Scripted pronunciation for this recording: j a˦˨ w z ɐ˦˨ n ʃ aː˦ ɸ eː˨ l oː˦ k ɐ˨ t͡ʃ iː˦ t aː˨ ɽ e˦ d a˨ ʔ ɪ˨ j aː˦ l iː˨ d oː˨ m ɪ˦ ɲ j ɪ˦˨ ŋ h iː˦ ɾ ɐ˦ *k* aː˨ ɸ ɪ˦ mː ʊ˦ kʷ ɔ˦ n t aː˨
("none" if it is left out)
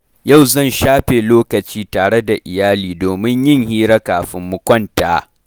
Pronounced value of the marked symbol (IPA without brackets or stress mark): k